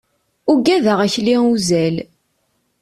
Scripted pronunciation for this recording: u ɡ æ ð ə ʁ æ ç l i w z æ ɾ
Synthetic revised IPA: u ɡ æ ð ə ʁ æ ç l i u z æ l

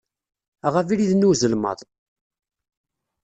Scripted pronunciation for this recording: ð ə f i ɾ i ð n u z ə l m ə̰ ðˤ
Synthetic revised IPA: ʁ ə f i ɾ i ð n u z ə l m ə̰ ðˤ

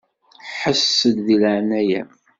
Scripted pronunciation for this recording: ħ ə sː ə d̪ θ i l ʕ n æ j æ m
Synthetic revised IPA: ħ ə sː ə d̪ ð i l ʕ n æ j æ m

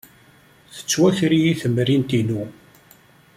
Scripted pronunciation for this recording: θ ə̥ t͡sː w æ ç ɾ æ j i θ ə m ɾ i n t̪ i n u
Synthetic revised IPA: θ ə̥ t͡sː w æ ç ɾ i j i θ ə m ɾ i n t̪ i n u

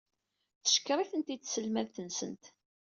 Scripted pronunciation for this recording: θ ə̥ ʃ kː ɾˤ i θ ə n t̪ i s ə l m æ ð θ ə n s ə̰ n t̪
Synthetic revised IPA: θ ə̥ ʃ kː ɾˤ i θ ə n t̪ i s ə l m æ ð θ ə n s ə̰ n t̪

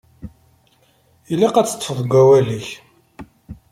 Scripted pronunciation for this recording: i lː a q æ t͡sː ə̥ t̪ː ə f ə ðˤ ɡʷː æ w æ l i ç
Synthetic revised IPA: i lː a q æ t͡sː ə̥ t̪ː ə f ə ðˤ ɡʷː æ w æ l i ç

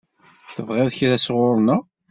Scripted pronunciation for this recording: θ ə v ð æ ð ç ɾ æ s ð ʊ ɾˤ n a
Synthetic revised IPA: θ ə v ʁ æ ð ç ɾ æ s ʁ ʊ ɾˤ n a

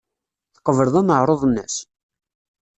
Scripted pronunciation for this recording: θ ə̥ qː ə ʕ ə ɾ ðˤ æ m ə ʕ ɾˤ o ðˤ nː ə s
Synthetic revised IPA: θ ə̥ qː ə v ə ɾ ðˤ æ m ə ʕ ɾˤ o ðˤ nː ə s

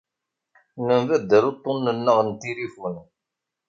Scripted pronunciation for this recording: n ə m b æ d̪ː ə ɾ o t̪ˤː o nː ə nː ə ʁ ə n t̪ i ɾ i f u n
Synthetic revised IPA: n ə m v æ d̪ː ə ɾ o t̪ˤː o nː ə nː ə ʁ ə n t̪ i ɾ i f u n

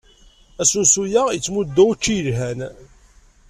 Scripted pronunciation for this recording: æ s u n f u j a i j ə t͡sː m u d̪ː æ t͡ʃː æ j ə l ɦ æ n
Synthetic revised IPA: æ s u n s u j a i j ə t͡sː m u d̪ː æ t͡ʃː i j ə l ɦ æ n

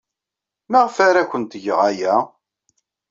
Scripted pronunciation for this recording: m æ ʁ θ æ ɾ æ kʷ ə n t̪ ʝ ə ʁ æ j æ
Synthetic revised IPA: m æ ʁ f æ ɾ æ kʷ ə n t̪ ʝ ə ʁ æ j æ

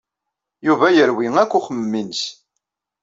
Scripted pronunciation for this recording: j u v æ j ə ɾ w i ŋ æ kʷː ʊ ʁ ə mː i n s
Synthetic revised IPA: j u v æ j ə ɾ w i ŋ æ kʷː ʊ χ ə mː i n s

